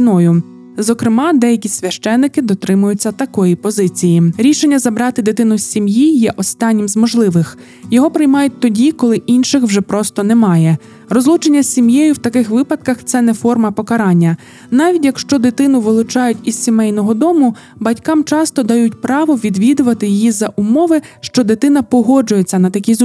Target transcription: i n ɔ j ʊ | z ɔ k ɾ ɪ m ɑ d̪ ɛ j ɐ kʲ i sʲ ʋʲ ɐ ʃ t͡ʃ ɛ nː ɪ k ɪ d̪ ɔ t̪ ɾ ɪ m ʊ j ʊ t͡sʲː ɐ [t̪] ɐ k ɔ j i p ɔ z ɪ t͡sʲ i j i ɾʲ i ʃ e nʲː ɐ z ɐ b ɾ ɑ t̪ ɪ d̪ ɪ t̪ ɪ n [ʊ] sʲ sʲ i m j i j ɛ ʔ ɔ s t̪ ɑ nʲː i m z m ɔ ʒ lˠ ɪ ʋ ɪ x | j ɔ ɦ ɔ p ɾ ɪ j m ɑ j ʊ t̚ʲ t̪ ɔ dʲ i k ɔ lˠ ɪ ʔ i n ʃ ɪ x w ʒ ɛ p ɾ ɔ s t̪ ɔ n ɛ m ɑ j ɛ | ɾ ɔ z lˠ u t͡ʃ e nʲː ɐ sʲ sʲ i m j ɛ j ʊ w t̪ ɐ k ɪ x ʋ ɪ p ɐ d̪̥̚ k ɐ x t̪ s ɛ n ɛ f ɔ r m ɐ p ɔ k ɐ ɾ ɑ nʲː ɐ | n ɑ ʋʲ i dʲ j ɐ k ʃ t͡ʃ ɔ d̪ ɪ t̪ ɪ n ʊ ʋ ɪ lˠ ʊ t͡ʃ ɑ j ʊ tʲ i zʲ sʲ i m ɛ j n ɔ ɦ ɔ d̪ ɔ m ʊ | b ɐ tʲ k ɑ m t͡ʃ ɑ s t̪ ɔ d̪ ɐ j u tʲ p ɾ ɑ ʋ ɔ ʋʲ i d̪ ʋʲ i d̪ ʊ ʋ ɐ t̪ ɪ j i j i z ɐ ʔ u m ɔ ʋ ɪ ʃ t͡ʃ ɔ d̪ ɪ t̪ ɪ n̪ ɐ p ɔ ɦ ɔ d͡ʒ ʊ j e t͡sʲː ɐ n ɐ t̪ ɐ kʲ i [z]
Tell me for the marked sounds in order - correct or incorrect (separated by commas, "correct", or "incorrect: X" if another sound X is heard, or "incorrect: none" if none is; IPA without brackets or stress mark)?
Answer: correct, correct, correct